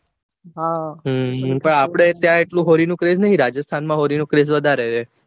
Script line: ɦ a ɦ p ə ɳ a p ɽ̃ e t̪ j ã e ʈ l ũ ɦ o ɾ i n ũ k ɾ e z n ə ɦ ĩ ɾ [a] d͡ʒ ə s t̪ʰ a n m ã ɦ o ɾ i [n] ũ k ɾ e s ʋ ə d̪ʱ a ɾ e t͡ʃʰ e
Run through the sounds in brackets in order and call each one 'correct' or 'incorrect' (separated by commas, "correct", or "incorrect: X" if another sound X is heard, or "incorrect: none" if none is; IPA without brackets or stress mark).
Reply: correct, correct